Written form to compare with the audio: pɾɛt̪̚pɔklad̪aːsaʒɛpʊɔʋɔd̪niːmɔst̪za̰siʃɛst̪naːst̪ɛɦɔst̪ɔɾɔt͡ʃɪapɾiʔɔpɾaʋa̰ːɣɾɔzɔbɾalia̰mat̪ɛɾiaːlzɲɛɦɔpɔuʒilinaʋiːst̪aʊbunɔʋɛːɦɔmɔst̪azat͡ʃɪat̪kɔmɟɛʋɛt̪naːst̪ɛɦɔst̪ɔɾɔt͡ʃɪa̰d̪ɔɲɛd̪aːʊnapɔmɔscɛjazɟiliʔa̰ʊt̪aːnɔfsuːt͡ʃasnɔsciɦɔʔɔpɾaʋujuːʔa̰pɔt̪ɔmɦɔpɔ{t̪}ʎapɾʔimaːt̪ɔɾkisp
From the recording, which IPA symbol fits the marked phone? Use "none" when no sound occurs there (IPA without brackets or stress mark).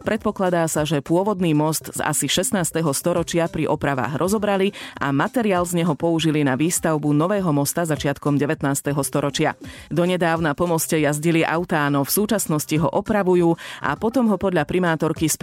d̪